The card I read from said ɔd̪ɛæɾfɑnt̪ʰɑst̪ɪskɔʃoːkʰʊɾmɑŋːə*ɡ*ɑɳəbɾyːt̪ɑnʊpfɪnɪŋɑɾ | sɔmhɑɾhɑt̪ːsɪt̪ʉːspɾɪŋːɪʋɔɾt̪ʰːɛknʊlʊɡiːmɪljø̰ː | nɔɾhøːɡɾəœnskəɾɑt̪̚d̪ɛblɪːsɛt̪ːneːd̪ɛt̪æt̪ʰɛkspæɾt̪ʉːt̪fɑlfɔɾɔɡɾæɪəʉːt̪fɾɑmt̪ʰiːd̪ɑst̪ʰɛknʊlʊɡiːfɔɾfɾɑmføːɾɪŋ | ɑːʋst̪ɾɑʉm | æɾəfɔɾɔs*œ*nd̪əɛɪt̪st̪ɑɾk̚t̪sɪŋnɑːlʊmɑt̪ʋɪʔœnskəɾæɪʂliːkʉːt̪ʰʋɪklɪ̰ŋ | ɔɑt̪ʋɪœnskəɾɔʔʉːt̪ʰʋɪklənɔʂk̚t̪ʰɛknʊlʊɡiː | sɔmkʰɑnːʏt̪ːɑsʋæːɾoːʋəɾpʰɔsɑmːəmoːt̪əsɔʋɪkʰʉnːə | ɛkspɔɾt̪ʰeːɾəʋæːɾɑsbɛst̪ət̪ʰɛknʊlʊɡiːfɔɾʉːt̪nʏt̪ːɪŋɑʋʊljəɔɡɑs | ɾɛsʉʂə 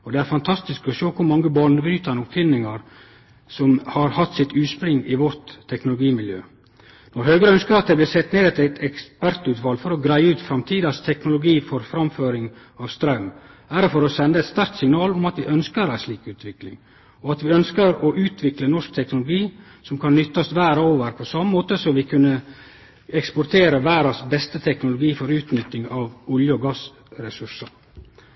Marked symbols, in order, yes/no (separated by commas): no, no